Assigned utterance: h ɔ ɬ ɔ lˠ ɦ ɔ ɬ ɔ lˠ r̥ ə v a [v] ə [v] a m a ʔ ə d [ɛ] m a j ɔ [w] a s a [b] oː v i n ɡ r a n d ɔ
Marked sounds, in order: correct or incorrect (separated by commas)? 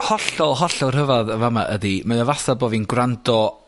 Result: incorrect, correct, incorrect, incorrect, correct